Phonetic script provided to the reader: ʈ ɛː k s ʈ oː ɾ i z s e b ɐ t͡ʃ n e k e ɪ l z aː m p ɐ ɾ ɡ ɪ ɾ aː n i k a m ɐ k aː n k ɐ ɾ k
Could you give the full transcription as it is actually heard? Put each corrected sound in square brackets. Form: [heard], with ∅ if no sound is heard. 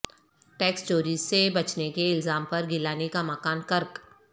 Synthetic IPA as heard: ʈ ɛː k s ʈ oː ɾ i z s e b ɐ t͡ʃ n e k e ɪ l z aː m p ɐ ɾ ɡ ɪ [l] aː n [e] k a m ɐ k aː n k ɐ ɾ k